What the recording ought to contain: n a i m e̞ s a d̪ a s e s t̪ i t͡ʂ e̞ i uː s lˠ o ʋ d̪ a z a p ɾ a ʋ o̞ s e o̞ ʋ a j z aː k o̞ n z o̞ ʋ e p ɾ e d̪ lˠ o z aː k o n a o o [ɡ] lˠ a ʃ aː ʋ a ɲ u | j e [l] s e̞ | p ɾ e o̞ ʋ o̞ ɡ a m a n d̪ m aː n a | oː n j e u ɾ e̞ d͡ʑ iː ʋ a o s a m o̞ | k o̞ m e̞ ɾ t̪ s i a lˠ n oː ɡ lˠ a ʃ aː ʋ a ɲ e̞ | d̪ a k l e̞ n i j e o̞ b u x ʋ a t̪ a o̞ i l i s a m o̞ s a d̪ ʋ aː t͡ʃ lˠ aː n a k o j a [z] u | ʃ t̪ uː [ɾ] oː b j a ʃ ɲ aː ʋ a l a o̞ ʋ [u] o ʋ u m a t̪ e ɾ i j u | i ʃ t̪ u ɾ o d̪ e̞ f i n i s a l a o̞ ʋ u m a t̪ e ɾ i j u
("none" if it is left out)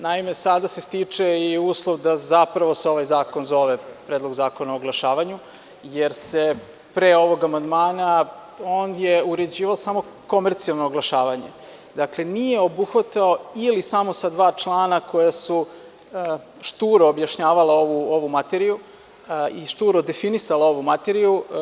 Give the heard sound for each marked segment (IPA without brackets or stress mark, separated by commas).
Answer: ɡ, ɾ, s, ɾ, u